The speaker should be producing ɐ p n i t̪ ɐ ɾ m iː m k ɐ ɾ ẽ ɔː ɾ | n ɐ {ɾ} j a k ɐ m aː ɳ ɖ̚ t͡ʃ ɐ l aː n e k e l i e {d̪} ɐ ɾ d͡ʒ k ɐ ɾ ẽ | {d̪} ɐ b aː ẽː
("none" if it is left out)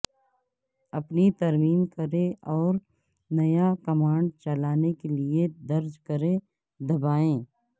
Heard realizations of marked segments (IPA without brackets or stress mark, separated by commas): none, d̪, d̪